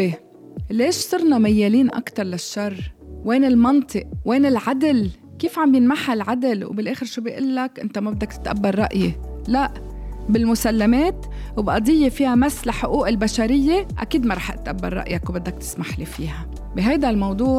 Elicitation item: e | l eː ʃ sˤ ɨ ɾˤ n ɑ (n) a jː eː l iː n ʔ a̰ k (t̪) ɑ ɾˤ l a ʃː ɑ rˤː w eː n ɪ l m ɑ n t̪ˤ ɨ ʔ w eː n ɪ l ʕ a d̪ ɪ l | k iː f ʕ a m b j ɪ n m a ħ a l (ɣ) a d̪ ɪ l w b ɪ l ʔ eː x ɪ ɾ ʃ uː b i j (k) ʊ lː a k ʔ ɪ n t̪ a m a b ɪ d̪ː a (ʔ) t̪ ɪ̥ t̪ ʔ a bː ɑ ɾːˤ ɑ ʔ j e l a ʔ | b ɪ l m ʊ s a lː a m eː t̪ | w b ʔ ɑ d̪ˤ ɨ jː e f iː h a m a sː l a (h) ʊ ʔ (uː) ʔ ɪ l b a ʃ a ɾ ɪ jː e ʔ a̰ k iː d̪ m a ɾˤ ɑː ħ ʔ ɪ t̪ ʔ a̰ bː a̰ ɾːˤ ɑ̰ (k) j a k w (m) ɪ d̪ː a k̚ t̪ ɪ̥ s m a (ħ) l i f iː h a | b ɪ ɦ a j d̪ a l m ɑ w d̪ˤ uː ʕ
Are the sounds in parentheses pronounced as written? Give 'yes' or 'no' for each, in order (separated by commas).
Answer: no, yes, no, no, no, no, yes, no, no, yes